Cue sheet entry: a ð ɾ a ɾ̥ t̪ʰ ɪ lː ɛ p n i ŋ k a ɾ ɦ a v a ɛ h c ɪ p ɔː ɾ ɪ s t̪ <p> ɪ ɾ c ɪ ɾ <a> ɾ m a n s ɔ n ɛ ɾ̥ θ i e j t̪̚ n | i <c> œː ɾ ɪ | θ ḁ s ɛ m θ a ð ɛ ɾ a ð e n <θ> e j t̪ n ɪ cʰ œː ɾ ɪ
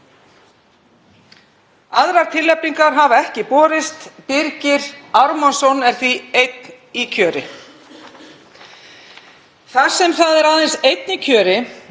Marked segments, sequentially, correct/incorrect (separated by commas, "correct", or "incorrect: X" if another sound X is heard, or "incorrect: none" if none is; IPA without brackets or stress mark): correct, correct, incorrect: cʰ, incorrect: s